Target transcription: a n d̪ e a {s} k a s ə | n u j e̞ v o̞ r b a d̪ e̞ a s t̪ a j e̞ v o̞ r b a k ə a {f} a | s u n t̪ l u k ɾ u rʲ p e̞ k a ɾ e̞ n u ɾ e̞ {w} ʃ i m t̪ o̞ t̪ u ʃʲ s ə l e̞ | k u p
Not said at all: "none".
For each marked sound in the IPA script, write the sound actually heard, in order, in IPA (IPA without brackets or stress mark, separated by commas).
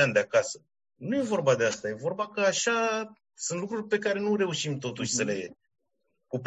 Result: none, ʃ, u